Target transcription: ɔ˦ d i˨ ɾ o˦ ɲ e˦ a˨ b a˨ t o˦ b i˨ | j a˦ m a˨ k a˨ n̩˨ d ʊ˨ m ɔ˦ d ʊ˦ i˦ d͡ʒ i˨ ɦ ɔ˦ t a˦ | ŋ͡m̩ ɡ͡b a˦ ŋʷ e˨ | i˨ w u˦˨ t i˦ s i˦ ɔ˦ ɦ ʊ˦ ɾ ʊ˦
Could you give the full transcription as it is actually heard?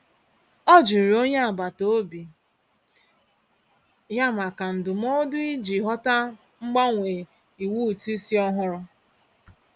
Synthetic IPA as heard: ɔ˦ d͡ʒ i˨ ɾ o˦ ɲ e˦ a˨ b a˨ t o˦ b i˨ | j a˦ m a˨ k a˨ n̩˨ d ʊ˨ m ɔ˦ d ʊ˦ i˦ d͡ʒ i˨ ɦ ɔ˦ t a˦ | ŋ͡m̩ ɡ͡b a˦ ŋʷ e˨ | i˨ w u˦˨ t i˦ s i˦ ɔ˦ ɦ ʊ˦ ɾ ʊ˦